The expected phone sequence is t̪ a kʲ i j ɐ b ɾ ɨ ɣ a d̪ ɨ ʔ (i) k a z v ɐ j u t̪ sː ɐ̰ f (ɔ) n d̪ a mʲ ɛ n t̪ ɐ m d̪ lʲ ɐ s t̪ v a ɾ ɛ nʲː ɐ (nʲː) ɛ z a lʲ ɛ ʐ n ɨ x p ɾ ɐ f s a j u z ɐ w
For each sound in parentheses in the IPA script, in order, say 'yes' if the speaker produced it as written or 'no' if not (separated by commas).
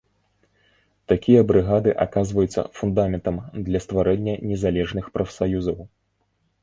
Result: no, no, no